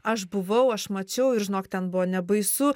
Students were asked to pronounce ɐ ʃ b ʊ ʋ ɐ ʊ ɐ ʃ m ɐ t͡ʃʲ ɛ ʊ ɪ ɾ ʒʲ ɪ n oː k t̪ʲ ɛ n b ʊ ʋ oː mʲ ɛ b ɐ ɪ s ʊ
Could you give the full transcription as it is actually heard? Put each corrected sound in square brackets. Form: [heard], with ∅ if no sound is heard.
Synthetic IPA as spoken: ɐ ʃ b ʊ ʋ ɐ ʊ ɐ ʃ m ɐ t͡ʃʲ ɛ ʊ ɪ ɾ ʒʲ ɪ n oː k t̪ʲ ɛ n b ʊ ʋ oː [nʲ] ɛ b ɐ ɪ s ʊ